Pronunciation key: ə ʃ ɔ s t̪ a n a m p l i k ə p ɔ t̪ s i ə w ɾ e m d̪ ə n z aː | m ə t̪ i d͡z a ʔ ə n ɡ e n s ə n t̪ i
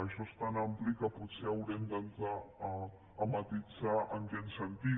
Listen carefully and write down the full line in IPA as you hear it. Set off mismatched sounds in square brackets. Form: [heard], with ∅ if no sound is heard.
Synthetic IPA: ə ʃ ɔ s t̪ a n a m p l i k ə p [u] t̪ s [e] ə w ɾ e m d̪ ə n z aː | m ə t̪ i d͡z a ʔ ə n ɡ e n s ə n t̪ i